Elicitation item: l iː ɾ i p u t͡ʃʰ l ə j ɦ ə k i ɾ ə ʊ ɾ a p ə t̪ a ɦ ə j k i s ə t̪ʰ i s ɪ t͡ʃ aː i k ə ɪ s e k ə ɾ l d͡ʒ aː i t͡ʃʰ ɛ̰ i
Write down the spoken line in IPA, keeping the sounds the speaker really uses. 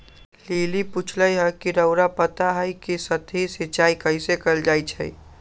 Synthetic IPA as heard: l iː l i p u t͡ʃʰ l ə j ɦ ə k i ɾ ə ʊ ɾ a p ə t̪ a ɦ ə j k i s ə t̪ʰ i s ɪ t͡ʃ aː i k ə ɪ s e k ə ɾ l d͡ʒ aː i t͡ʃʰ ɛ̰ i